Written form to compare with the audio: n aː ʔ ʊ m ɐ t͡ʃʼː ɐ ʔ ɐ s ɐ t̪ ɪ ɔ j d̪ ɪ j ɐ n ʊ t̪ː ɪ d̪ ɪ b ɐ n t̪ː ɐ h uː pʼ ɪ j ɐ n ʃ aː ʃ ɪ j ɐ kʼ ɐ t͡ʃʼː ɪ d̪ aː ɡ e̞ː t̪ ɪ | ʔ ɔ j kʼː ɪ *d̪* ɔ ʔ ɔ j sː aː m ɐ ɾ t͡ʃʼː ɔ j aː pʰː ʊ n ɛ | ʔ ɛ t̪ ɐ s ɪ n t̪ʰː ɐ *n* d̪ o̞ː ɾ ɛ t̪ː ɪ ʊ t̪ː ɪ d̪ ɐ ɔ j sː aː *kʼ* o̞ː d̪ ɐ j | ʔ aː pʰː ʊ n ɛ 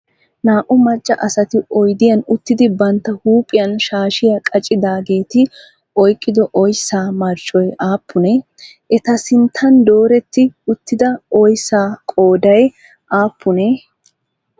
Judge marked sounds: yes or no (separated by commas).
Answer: yes, yes, yes